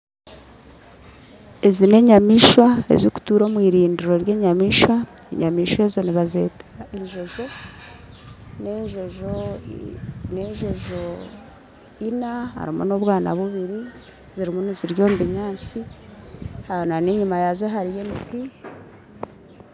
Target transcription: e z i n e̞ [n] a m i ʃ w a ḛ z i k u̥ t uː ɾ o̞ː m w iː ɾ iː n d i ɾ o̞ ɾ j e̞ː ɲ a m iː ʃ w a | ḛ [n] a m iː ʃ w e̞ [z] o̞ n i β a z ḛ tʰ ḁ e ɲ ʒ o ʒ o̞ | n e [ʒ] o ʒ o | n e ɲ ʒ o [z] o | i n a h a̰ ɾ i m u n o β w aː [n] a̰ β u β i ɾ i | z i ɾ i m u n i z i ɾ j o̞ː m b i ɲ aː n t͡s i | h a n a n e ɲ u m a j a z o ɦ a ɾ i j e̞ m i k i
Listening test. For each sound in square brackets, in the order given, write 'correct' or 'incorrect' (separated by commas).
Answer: incorrect, incorrect, correct, correct, incorrect, correct